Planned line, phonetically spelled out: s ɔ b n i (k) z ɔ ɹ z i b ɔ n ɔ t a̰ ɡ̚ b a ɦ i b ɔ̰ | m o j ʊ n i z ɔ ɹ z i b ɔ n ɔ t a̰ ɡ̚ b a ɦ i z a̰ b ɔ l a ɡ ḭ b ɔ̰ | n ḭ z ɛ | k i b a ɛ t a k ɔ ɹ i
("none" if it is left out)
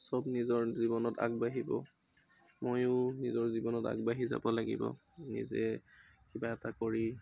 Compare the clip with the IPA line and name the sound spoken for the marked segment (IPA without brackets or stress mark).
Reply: none